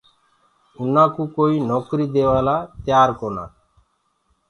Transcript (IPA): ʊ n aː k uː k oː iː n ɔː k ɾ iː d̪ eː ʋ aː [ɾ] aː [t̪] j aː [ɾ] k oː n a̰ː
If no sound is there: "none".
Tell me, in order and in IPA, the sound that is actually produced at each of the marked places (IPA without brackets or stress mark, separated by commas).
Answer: l, t̪, ɾ